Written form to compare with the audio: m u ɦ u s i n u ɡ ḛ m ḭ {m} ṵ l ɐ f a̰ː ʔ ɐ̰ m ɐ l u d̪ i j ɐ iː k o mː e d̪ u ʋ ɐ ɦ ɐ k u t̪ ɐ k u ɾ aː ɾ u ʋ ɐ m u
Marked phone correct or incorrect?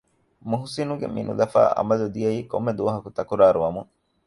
incorrect